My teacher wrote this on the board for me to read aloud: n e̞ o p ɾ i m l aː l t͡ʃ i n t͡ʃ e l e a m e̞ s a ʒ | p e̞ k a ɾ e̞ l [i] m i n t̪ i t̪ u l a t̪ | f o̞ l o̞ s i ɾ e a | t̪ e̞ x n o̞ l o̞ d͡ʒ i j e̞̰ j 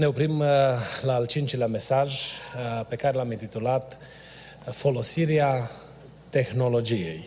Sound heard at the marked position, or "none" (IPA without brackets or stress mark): a